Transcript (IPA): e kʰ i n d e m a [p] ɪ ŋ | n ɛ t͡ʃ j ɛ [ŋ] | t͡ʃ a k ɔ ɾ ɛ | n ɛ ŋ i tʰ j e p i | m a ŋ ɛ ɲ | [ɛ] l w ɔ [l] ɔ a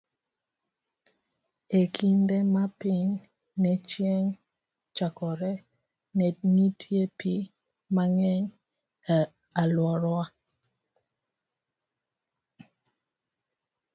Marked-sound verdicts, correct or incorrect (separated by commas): correct, correct, incorrect, incorrect